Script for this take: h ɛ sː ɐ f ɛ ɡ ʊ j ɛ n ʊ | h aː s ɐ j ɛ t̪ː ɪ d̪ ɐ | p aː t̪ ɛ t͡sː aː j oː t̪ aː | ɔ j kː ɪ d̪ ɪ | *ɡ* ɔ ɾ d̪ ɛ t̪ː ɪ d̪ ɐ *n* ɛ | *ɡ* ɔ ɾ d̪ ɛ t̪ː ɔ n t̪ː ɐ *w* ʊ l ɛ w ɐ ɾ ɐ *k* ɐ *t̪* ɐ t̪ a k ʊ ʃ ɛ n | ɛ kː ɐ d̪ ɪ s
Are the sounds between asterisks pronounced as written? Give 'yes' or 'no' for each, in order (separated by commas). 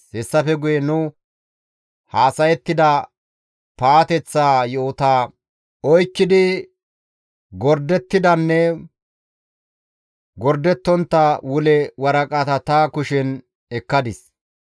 yes, no, yes, yes, no, yes